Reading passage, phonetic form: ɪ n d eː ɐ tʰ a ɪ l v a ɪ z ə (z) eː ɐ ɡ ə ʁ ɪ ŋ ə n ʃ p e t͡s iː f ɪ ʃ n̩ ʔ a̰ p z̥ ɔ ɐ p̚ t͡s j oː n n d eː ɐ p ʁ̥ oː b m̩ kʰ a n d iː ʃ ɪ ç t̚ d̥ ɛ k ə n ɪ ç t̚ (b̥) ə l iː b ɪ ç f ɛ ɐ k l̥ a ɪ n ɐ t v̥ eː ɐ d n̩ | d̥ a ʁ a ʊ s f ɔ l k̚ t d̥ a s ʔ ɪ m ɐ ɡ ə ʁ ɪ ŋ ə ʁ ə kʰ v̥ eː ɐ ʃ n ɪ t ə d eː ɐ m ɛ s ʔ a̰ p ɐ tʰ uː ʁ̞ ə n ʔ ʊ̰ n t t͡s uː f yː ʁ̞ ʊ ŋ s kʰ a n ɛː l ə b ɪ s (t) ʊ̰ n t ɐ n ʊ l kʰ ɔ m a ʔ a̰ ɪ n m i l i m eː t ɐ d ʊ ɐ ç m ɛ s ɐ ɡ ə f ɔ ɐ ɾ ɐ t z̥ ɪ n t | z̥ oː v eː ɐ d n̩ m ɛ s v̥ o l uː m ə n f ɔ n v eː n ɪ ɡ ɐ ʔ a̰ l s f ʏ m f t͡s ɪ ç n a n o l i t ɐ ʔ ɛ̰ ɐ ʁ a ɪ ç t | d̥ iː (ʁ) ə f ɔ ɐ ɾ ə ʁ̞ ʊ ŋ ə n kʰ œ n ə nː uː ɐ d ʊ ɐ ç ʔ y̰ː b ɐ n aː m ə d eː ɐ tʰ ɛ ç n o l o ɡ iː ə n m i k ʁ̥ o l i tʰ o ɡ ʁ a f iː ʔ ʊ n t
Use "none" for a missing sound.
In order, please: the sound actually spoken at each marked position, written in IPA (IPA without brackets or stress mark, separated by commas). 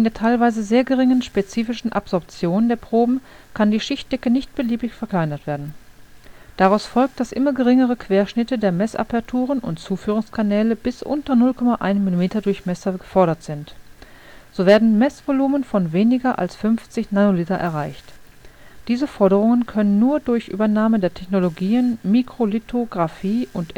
z, b̥, ʔ, z